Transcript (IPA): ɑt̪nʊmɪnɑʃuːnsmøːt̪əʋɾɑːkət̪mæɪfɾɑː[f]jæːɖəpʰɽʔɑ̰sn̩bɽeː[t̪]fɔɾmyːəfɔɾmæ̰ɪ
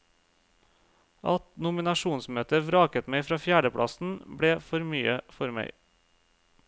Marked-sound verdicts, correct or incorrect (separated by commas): correct, incorrect